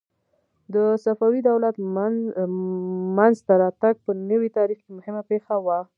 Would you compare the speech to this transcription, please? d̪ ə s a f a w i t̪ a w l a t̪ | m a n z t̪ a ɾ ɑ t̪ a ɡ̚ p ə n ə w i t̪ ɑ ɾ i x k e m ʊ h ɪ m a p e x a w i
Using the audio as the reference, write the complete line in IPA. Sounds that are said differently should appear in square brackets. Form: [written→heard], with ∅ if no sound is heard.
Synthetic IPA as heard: d̪ ə s a f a w i [t̪→d̪] a w l a t̪ | m a n z t̪ a ɾ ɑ t̪ a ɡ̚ p ə n ə w i t̪ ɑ ɾ i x k e m ʊ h ɪ m a p e x a w [i→a]